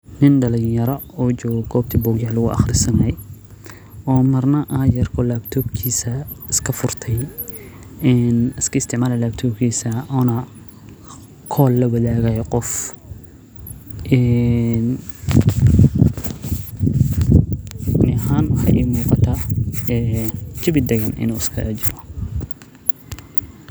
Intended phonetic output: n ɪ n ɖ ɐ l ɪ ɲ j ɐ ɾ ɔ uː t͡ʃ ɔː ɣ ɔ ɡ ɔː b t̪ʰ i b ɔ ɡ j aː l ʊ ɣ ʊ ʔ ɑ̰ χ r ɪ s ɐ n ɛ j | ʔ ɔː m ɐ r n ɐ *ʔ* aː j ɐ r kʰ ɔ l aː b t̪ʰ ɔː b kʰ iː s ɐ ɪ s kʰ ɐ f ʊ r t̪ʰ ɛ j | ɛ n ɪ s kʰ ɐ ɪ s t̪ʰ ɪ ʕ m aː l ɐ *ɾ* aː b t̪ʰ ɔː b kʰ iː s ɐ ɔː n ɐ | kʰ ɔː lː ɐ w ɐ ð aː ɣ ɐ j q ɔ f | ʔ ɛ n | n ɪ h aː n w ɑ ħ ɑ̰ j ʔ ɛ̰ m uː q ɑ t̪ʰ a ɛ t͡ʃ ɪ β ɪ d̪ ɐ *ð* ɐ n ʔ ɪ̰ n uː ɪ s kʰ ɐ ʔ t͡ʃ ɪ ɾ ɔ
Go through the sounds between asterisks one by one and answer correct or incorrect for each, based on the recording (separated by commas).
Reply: correct, incorrect, incorrect